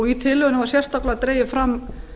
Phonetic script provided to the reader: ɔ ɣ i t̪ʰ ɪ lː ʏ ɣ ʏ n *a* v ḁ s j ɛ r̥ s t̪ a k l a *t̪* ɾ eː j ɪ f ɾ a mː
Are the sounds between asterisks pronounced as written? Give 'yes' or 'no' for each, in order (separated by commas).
yes, yes